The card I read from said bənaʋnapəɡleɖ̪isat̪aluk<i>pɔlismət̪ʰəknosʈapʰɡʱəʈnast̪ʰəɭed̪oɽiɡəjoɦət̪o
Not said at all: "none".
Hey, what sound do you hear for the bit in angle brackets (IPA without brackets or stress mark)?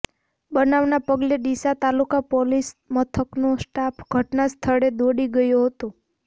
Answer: a